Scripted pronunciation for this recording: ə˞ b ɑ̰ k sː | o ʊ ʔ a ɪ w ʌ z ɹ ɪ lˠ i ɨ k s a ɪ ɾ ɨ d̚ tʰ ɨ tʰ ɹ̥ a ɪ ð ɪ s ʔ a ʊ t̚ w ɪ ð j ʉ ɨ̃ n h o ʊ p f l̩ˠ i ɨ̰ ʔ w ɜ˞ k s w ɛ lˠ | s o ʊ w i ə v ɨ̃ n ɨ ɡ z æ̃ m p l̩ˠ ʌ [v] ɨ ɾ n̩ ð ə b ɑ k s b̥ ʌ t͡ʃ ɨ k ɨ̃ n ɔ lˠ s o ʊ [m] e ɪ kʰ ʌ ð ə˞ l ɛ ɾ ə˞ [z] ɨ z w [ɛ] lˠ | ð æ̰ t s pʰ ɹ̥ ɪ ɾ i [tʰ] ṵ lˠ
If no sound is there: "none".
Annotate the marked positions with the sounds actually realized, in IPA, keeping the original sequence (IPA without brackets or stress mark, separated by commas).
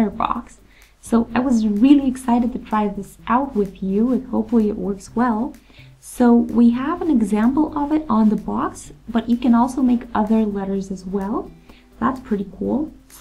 v, m, z, ɛ, kʰ